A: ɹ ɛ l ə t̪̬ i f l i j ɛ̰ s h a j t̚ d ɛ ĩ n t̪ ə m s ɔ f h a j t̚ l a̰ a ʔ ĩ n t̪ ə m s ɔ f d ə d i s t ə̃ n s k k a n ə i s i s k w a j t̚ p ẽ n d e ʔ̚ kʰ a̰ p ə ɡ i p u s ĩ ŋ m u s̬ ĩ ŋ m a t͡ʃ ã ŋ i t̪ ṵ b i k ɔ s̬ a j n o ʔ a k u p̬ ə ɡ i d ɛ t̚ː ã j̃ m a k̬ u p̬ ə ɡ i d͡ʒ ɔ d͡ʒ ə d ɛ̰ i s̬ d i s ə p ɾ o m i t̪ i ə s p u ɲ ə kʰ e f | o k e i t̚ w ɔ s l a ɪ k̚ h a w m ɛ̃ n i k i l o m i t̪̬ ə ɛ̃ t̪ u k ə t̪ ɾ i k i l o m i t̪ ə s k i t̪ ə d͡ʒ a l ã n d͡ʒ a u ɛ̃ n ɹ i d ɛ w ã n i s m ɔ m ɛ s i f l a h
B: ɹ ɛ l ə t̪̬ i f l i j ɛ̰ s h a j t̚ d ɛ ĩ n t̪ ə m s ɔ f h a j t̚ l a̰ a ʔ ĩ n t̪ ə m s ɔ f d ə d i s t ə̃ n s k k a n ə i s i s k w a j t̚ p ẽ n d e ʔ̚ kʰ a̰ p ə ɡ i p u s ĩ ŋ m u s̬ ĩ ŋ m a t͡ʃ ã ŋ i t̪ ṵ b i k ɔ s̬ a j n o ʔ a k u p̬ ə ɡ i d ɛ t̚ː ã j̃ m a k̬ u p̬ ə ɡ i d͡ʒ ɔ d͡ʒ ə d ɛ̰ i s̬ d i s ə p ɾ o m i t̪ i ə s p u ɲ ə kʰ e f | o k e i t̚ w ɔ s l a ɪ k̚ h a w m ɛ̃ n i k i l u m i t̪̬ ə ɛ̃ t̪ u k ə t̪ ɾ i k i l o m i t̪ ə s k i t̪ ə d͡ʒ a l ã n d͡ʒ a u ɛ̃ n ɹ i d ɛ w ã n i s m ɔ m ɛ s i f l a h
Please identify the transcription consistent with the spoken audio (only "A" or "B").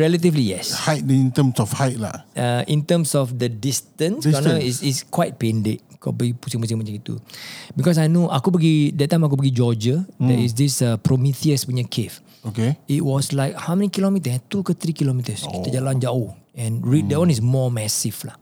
A